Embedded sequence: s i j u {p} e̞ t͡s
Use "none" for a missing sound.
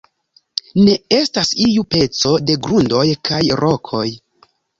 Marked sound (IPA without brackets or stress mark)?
p